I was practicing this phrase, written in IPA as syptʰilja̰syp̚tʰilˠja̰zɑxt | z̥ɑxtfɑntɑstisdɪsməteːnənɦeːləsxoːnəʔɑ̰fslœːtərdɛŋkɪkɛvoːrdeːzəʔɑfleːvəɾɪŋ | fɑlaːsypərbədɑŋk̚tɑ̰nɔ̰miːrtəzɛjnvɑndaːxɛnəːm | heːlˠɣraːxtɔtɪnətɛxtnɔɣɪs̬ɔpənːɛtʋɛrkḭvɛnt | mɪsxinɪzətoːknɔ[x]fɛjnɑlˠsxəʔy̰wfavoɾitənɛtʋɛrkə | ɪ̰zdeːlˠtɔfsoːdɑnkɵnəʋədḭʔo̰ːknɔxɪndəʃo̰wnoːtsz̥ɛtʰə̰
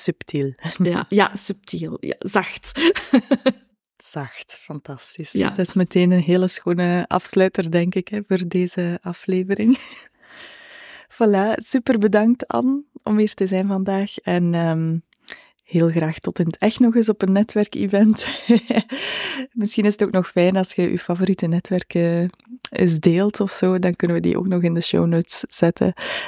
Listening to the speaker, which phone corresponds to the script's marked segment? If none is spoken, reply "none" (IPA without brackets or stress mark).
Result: x